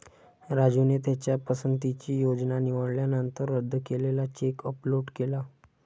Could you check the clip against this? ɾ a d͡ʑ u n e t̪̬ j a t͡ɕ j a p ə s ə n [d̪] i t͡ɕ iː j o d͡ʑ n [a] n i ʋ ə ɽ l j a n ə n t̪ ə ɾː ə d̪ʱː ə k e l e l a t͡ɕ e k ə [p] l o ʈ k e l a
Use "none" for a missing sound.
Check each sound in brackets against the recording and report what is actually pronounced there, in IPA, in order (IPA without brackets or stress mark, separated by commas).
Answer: t̪, a, p